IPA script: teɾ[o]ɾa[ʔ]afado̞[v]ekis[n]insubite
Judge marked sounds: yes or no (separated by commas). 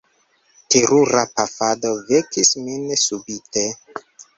no, no, yes, no